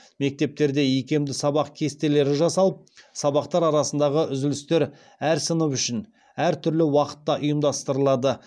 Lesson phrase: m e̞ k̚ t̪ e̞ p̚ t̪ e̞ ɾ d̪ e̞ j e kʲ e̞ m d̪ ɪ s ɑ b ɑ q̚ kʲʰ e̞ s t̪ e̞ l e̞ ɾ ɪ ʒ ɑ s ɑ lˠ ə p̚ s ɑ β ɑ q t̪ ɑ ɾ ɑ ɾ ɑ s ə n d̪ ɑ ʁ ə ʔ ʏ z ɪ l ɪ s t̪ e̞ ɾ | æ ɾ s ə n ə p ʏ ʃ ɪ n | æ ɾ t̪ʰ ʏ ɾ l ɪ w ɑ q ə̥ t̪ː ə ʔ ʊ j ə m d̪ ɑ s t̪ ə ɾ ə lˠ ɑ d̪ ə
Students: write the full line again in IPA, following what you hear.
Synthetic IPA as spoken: m e̞ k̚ t̪ e̞ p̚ t̪ e̞ ɾ d̪ e̞ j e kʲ e̞ m d̪ ɪ s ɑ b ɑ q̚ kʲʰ e̞ s t̪ e̞ l e̞ ɾ ɪ ʒ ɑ s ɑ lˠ ə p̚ s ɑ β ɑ q t̪ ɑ ɾ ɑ ɾ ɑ s ə n d̪ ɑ ʁ ə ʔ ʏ z ɪ l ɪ s t̪ e̞ ɾ | æ ɾ s ə n ə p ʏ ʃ ɪ n | æ ɾ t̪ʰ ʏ ɾ l ɪ w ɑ q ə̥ t̪ː ɑ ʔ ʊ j ə m d̪ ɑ s t̪ ə ɾ ə lˠ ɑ d̪ ə